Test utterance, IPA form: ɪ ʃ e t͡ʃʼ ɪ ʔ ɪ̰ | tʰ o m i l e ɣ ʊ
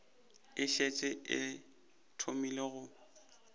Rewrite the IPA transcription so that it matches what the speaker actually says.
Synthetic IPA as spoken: ɪ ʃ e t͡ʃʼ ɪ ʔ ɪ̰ | tʰ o m i l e ɣ ʊ